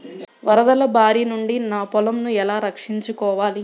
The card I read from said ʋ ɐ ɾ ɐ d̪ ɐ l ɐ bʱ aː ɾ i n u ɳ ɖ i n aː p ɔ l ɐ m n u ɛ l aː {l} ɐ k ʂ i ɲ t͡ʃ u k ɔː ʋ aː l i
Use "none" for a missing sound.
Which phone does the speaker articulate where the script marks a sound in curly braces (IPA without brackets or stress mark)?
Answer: ɾ